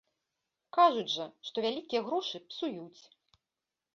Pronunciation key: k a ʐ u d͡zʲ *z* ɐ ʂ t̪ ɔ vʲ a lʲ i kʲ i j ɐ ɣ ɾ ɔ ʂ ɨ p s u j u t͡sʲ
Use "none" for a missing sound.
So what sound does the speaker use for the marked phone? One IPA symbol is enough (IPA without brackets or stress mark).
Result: ʐ